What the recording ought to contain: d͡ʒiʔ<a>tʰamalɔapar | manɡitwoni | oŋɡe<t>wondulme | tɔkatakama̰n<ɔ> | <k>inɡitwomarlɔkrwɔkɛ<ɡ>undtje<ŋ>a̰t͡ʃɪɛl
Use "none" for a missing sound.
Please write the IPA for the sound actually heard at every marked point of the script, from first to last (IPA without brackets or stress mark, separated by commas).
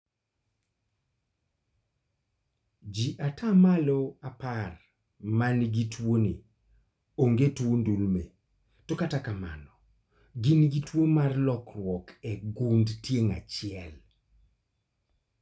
a, t, ɔ, ɡ, ɡ, ŋ